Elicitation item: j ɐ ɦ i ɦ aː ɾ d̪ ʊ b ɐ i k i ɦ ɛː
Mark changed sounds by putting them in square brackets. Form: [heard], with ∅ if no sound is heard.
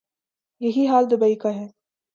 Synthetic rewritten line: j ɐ ɦ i ɦ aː [l] d̪ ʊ b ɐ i k [a] ɦ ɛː